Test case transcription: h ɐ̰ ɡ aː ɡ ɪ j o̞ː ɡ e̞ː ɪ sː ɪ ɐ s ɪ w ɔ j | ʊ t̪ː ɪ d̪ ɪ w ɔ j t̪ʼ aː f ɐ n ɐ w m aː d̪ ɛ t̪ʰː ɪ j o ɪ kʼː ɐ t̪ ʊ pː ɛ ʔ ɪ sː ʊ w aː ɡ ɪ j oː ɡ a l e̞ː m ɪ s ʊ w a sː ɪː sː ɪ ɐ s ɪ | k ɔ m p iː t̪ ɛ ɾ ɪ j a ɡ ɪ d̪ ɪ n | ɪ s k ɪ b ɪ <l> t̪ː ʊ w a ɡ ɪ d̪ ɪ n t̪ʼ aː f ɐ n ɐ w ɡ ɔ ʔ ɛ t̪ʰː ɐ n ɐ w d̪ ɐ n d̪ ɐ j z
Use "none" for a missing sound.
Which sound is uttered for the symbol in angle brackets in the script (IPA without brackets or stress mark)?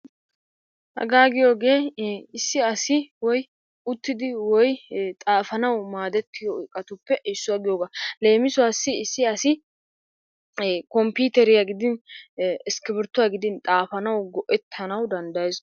ɾ